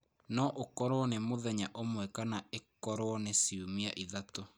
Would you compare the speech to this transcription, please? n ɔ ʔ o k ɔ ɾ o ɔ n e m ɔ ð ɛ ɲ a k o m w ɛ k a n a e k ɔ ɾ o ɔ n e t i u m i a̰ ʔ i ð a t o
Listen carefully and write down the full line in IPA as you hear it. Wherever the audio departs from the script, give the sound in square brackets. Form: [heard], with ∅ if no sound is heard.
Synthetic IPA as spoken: n ɔ ʔ o k ɔ ɾ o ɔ n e m [o] ð ɛ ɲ a [ʔ] o m w ɛ k a n a e k ɔ ɾ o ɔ n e [s] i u m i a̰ ʔ i ð a t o